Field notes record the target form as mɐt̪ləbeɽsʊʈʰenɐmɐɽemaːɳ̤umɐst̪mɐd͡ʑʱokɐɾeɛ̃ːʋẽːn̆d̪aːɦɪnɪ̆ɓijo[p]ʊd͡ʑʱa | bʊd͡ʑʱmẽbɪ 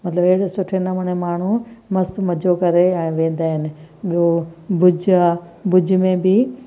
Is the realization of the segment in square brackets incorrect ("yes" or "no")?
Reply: yes